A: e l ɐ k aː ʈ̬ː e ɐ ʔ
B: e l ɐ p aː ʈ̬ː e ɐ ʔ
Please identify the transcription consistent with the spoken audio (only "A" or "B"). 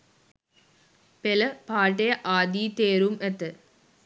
B